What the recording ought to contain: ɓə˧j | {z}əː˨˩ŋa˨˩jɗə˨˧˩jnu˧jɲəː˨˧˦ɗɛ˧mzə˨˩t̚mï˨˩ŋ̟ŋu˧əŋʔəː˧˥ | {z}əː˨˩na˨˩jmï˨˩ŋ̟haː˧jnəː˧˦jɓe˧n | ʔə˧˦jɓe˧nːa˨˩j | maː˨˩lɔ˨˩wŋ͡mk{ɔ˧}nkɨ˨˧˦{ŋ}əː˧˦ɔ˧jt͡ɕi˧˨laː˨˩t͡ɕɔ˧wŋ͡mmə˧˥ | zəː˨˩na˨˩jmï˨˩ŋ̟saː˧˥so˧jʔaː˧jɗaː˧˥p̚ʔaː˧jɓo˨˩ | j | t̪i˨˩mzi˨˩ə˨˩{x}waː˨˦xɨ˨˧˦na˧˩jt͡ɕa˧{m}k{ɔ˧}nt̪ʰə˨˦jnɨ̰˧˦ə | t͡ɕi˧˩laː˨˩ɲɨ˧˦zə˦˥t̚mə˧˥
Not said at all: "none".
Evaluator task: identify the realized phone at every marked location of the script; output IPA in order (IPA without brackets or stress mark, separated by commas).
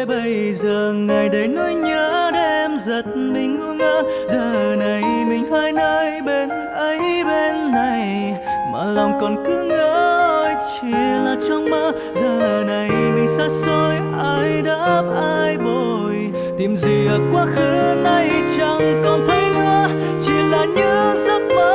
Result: z, z, ɔ˨˩, ŋ, k, ŋ, ɔ˨˩